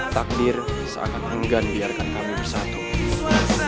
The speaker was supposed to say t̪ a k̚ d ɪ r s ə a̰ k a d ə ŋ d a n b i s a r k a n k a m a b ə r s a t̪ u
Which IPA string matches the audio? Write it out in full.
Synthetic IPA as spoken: t̪ a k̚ d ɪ r s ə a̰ k a n ə ŋ ɡ a n b i a r k a n k a m i b ə r s a t̪ u